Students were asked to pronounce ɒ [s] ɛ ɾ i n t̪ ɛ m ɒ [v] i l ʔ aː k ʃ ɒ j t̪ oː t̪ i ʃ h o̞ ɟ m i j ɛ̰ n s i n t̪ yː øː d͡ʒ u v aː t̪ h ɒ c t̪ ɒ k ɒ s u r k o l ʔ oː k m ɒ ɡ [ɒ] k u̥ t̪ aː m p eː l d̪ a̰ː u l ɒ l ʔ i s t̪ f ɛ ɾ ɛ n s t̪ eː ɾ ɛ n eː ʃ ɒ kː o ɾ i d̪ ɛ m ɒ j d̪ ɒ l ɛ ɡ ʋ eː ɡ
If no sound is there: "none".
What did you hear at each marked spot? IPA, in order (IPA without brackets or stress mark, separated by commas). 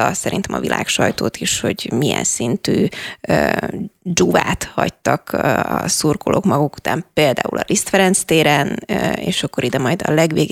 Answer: s, v, u